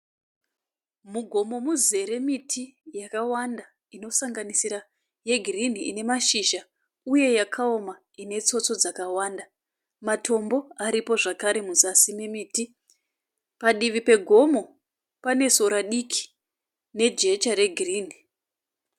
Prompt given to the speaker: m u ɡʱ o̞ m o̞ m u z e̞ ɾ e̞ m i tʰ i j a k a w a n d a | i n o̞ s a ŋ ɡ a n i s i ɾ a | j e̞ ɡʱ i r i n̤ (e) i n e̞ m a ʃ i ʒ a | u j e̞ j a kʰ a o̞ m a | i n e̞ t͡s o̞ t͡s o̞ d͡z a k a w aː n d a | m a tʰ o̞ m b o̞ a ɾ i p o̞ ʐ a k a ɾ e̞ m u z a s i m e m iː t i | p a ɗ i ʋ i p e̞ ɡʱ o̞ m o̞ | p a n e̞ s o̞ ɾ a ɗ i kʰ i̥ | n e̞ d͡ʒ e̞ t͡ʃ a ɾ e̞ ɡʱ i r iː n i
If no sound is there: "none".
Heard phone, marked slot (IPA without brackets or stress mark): i